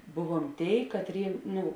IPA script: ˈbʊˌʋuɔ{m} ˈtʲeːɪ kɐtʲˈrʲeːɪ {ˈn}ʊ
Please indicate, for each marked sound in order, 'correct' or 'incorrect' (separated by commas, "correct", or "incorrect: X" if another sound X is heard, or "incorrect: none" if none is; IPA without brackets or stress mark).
correct, correct